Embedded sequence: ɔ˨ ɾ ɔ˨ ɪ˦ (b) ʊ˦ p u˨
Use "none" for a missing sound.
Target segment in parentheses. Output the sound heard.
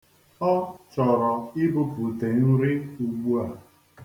b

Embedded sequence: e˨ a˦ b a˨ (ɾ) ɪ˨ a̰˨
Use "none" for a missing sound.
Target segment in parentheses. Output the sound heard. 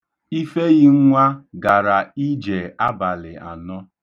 l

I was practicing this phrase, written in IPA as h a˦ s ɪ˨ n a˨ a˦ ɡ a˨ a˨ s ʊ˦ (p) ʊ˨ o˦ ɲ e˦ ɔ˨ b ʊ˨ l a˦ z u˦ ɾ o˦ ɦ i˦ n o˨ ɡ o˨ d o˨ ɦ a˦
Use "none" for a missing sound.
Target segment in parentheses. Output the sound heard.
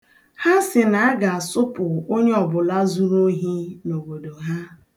p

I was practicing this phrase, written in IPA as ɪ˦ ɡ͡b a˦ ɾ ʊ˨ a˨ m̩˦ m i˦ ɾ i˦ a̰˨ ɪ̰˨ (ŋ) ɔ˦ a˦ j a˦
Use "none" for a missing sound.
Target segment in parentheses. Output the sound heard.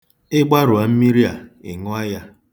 ŋ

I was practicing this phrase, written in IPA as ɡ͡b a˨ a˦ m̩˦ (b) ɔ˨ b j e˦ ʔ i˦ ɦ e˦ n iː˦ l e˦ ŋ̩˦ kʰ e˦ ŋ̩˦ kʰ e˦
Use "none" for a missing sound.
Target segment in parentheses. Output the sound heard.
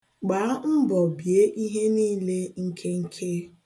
b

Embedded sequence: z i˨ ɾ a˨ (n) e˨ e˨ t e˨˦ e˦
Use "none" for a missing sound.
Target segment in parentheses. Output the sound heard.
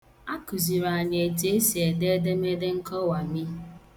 ɲ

